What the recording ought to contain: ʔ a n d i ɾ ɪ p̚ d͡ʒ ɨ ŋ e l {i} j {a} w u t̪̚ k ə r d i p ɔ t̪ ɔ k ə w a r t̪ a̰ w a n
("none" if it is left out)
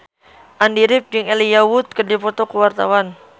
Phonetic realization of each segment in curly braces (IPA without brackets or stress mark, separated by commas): i, a